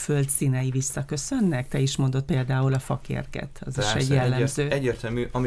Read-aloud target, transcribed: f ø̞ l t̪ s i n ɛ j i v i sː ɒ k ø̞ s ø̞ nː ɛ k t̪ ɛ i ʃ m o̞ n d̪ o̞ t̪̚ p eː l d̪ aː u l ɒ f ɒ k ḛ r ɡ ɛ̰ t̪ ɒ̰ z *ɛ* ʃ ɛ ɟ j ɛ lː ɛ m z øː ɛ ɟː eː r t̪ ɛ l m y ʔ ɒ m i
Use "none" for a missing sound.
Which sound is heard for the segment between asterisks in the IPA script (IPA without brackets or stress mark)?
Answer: i